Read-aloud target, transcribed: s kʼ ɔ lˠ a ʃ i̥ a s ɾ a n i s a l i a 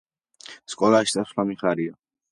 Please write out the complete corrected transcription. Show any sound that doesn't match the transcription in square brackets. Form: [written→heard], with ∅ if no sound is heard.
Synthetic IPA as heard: s kʼ ɔ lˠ a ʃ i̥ a s [ɾ→l] a [n→m] i [s→χ] a [l→ɾ] i a